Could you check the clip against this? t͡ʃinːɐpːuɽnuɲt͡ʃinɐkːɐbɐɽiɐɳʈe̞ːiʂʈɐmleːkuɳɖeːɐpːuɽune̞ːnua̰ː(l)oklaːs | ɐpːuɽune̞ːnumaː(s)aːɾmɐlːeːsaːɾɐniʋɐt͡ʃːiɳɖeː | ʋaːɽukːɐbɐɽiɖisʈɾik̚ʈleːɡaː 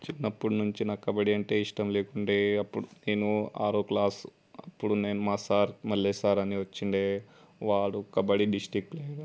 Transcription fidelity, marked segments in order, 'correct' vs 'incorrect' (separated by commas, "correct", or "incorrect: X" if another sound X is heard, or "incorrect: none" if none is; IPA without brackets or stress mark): incorrect: ɾ, correct